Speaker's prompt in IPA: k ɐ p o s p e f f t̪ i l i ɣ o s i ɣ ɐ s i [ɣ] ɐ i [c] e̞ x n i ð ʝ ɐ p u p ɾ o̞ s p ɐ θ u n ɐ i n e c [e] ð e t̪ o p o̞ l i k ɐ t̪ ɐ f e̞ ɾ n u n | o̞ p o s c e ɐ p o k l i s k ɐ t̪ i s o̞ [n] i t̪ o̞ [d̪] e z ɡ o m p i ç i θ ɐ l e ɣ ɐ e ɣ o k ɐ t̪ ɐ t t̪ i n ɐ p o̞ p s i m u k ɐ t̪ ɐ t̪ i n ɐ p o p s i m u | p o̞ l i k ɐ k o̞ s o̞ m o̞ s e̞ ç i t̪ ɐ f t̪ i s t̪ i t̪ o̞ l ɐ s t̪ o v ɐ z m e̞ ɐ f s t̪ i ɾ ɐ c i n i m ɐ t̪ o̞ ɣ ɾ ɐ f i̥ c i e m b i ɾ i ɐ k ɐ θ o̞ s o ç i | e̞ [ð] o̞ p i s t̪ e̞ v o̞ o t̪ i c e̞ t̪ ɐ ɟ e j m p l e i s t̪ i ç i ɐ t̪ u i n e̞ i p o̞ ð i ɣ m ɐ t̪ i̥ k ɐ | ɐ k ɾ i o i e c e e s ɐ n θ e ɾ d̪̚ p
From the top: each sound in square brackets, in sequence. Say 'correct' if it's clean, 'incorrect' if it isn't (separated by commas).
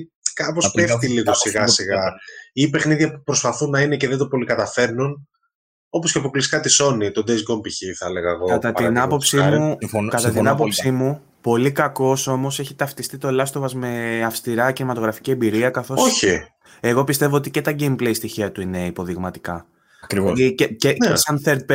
correct, incorrect, correct, correct, correct, incorrect